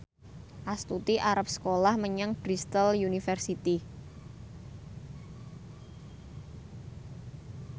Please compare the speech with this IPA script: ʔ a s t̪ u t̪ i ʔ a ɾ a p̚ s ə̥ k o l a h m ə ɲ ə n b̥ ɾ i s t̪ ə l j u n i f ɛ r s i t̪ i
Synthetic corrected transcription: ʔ a s t̪ u t̪ i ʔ a ɾ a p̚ s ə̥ k o l a h m ə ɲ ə ŋ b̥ ɾ i s t̪ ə l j u n i f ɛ r s i t̪ i